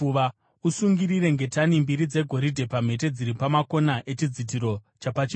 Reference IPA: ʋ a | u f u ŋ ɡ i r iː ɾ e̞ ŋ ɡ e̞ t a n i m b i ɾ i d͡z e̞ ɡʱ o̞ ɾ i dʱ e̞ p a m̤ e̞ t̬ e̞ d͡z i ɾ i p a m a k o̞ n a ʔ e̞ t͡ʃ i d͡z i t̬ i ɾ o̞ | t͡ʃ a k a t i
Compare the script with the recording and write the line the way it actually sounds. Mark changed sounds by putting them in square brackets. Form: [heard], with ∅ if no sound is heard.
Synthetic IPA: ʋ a | u [s] u ŋ ɡ i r [i] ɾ e̞ ŋ ɡ e̞ t a n i m b i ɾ i d͡z e̞ ɡʱ o̞ ɾ i dʱ e̞ p a m̤ e̞ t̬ e̞ d͡z i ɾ i p a m a k o̞ n a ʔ e̞ t͡ʃ i d͡z i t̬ i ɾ o̞ | t͡ʃ a [p] a [t͡ʃ] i